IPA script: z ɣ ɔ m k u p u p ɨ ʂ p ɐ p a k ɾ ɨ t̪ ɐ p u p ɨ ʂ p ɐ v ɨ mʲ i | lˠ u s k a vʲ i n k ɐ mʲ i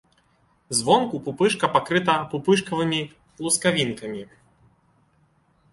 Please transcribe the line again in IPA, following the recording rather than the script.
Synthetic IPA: z v ɔ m k u p u p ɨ ʂ k ɐ p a k ɾ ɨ t̪ ɐ p u p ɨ ʂ k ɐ v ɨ mʲ i | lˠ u s k a vʲ i n k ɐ mʲ i